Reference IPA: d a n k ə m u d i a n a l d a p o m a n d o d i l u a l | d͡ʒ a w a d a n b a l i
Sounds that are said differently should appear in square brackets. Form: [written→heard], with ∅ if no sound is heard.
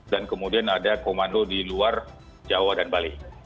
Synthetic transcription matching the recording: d a n k ə m u d i a n a [l→∅] d a [p→k] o m a n d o d i l u a [l→r] | d͡ʒ a w a d a n b a l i